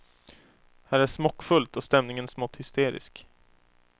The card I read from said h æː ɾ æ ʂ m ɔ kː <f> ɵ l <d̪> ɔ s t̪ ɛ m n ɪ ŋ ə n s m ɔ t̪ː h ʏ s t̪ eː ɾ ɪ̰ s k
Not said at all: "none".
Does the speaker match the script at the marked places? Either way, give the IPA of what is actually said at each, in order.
f, t̪

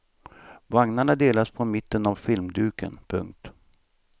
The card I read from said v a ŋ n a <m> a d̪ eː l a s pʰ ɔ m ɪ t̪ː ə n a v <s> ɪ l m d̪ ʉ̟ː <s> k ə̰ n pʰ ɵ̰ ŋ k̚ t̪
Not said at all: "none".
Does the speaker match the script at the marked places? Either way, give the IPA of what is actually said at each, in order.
ɳ, f, none

